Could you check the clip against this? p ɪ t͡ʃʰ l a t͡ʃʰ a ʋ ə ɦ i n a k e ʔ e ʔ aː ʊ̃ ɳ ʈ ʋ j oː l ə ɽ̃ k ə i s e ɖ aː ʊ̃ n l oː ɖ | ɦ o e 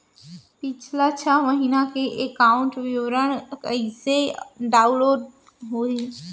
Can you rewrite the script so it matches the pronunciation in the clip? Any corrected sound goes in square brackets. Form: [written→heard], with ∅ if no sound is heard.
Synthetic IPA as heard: p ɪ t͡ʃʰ l a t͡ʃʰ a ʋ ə ɦ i n a k e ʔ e [ʔ→k] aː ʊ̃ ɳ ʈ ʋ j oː [l→ɾ] ə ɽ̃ k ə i s e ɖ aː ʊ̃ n l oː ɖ | ɦ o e